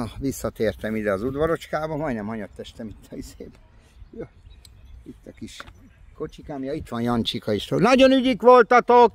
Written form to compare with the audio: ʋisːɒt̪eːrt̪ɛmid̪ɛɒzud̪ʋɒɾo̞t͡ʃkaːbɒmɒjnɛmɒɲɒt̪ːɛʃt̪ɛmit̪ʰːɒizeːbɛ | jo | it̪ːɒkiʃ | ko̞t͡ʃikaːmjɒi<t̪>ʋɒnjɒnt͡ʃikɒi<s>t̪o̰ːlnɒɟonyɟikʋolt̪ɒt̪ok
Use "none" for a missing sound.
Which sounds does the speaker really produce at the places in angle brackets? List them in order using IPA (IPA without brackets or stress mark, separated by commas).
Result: t̪, ʃ